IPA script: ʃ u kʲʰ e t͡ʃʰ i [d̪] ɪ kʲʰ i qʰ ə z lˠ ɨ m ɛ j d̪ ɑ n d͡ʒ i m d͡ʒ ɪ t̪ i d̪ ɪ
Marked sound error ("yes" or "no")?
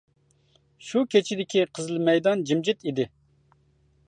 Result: no